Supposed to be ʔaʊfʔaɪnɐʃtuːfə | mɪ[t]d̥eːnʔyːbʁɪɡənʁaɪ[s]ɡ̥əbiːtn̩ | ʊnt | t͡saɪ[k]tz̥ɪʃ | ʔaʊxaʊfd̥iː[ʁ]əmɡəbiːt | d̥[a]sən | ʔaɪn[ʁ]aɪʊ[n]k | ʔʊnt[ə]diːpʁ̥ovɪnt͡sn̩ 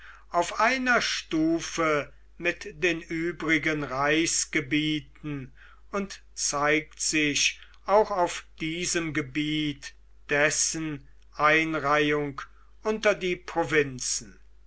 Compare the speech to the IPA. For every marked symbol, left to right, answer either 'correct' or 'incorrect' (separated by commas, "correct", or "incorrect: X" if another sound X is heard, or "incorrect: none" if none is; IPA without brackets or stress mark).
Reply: correct, correct, correct, incorrect: z, incorrect: ɛ, correct, incorrect: ŋ, incorrect: ɐ